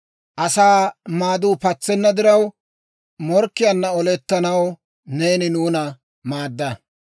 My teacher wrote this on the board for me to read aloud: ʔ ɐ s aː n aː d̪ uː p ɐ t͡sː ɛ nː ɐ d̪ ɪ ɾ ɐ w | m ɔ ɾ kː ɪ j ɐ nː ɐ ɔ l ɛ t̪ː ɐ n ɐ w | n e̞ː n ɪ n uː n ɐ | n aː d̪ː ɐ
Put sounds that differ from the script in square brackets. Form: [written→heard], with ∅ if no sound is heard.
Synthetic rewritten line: ʔ ɐ s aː [n→m] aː d̪ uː p ɐ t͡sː ɛ nː ɐ d̪ ɪ ɾ ɐ w | m ɔ ɾ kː ɪ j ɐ nː ɐ ɔ l ɛ t̪ː ɐ n ɐ w | n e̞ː n ɪ n uː n ɐ | [n→m] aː d̪ː ɐ

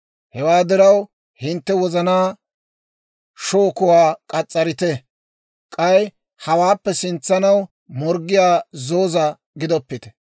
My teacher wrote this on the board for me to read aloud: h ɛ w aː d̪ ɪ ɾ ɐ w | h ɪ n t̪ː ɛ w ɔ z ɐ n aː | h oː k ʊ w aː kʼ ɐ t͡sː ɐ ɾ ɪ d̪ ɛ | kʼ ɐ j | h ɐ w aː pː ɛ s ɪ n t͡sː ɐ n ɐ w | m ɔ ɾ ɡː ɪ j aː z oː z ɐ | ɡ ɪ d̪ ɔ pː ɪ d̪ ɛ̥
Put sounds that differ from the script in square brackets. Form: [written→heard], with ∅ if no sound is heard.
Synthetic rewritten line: h ɛ w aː d̪ ɪ ɾ ɐ w | h ɪ n t̪ː ɛ w ɔ z ɐ n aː | [h→ʃ] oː k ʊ w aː kʼ ɐ [t͡sː→t͡sʼː] ɐ ɾ ɪ [d̪→t̪] ɛ | kʼ ɐ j | h ɐ w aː pː ɛ s ɪ n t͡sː ɐ n ɐ w | m ɔ ɾ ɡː ɪ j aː z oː z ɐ | ɡ ɪ d̪ ɔ pː ɪ [d̪→t̪] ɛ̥

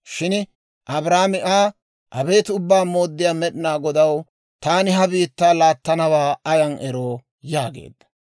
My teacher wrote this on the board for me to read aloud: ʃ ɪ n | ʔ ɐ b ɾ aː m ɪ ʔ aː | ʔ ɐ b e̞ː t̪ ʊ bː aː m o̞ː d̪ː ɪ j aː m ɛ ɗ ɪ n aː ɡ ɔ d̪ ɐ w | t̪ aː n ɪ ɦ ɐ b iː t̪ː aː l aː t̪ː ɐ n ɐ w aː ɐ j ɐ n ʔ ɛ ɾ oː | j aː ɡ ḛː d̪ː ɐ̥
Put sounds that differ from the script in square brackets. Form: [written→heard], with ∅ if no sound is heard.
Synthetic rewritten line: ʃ ɪ n | ʔ ɐ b ɾ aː m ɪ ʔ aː | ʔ ɐ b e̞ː t̪ ʊ bː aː m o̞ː d̪ː ɪ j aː m ɛ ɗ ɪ n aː ɡ ɔ d̪ ɐ w | t̪ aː n ɪ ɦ ɐ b iː t̪ː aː l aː t̪ː ɐ n ɐ w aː ɐ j ɐ n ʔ ɛ ɾ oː | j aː ɡ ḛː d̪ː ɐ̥

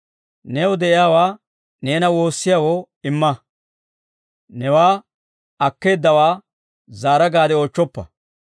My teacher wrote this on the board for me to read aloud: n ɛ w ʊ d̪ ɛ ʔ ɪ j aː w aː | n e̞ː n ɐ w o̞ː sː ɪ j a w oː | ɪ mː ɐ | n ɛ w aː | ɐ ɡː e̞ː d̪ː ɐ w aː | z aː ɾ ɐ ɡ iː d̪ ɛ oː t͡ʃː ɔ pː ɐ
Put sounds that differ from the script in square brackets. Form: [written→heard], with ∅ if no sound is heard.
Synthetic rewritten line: n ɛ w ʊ d̪ ɛ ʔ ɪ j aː w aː | n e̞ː n ɐ w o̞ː sː ɪ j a w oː | ɪ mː ɐ | n ɛ w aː | ɐ [ɡː→kː] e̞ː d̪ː ɐ w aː | z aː ɾ ɐ ɡ [iː→aː] d̪ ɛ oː t͡ʃː ɔ pː ɐ

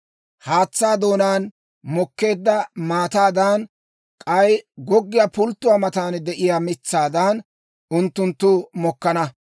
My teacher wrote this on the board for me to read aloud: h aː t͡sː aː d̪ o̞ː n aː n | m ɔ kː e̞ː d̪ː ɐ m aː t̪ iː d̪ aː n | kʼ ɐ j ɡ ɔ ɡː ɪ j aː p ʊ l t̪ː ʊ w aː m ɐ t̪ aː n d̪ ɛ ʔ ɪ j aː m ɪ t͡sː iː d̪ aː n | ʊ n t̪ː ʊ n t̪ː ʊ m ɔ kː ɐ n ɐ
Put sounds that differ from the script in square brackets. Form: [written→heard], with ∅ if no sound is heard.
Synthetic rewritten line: h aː t͡sː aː d̪ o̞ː n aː n | m ɔ kː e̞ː d̪ː ɐ m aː t̪ [iː→aː] d̪ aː n | kʼ ɐ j ɡ ɔ ɡː ɪ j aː p ʊ l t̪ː ʊ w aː m ɐ t̪ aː n d̪ ɛ ʔ ɪ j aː m ɪ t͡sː [iː→aː] d̪ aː n | ʊ n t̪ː ʊ n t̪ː ʊ m ɔ kː ɐ n ɐ

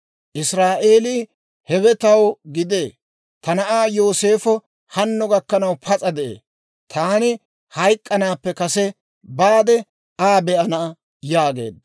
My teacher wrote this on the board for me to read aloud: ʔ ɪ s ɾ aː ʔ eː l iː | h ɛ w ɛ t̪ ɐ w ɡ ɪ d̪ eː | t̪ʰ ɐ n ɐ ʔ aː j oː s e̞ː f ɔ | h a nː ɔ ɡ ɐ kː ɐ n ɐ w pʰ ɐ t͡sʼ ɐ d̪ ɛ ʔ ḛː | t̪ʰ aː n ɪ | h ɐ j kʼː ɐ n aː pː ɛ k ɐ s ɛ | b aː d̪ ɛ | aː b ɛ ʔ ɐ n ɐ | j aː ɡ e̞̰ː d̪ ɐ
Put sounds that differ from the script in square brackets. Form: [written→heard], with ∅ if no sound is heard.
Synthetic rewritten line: ʔ ɪ s ɾ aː ʔ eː l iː | h ɛ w ɛ t̪ ɐ w ɡ ɪ d̪ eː | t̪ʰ ɐ n ɐ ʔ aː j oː s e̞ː f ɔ | h [a→ɐ] nː ɔ ɡ ɐ kː ɐ n ɐ w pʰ ɐ t͡sʼ ɐ d̪ ɛ ʔ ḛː | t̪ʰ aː n ɪ | h ɐ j kʼː ɐ n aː pː ɛ k ɐ s ɛ | b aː d̪ ɛ | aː b ɛ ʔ ɐ n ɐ | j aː ɡ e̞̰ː d̪ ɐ

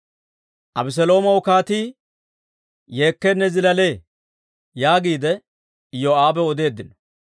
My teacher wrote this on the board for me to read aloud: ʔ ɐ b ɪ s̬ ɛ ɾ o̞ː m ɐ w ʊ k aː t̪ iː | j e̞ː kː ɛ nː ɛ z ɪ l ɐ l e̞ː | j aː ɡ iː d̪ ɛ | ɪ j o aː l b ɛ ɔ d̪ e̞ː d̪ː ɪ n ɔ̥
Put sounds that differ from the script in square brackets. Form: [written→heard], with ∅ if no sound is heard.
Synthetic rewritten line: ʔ ɐ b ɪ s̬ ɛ [ɾ→l] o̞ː m ɐ w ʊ k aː t̪ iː | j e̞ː kː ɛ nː ɛ z ɪ l ɐ l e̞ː | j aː ɡ iː d̪ ɛ | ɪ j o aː [l→∅] b ɛ ɔ d̪ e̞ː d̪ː ɪ n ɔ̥

